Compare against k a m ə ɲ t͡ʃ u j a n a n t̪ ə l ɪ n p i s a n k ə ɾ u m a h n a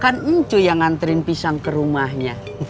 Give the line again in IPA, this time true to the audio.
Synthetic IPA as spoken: k a n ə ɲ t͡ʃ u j a ŋ a n t̪ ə ɾ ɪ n p i s a ŋ k ə ɾ u m a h ɲ a